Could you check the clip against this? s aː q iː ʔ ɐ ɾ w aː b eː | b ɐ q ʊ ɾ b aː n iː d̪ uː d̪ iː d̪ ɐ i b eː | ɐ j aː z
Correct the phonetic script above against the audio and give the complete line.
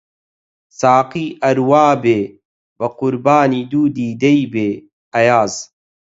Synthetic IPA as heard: s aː q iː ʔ ɐ ɾ w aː b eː | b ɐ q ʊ ɾ b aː n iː d̪ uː d̪ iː d̪ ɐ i b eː | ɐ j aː z